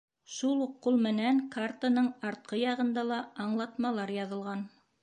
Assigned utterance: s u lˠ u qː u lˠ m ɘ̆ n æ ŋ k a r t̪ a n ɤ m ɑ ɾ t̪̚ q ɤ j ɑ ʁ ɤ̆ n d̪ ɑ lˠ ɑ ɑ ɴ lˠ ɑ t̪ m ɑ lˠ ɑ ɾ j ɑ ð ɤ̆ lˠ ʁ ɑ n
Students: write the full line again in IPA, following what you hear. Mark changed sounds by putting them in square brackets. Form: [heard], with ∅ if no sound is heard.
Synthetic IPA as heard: [ʃ] u lˠ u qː u lˠ m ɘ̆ n æ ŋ k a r t̪ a n ɤ [ɴ] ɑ ɾ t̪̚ q ɤ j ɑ ʁ ɤ̆ n d̪ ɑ lˠ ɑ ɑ ɴ lˠ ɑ t̪ m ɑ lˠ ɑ ɾ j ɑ ð ɤ̆ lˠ ʁ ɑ n